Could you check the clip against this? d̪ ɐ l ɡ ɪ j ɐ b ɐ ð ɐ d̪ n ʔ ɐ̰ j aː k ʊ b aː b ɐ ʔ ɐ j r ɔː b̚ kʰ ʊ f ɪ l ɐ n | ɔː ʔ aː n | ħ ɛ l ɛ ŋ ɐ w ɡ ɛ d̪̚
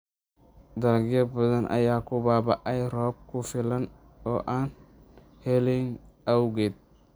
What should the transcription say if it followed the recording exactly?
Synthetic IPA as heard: d̪ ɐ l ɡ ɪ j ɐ b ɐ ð ɐ n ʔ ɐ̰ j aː k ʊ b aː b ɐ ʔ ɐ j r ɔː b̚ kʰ ʊ f ɪ l ɐ n | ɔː ʔ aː n | h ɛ l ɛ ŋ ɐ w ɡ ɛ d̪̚